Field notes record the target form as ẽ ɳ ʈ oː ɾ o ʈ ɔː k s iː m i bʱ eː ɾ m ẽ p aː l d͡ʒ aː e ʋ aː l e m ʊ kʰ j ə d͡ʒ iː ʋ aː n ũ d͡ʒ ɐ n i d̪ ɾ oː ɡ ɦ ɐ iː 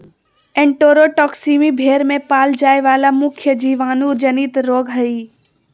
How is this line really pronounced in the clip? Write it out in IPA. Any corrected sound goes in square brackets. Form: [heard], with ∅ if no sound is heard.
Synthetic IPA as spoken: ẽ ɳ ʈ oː ɾ o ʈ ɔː k s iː m i bʱ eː ɾ m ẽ p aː l d͡ʒ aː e ʋ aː l [a] m ʊ kʰ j ə d͡ʒ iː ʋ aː n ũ d͡ʒ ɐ n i [t̪] ɾ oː ɡ ɦ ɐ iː